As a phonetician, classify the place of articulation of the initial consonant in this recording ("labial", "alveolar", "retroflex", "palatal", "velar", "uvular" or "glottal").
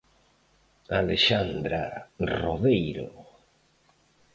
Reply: alveolar